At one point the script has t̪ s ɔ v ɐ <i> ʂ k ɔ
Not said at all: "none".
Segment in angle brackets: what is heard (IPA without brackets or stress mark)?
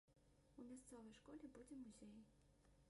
j